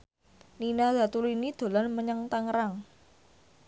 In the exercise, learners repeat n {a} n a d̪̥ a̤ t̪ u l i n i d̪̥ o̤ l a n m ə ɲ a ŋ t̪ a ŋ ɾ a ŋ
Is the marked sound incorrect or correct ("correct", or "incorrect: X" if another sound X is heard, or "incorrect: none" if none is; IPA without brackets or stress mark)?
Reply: incorrect: i